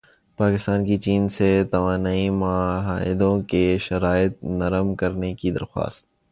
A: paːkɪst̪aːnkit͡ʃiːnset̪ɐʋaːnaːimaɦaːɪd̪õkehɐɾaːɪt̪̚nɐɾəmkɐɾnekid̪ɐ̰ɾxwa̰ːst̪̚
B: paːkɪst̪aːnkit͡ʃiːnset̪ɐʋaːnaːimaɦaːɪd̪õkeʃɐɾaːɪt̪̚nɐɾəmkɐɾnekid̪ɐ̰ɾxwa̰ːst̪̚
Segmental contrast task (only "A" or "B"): B